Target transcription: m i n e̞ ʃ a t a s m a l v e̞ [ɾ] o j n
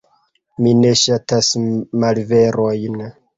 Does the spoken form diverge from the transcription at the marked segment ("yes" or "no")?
no